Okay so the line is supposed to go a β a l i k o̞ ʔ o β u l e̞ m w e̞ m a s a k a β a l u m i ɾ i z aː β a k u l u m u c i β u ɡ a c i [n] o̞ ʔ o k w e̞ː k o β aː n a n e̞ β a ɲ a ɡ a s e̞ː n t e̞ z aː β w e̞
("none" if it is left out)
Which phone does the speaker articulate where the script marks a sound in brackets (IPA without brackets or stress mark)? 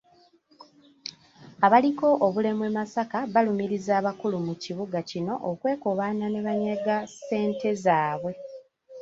n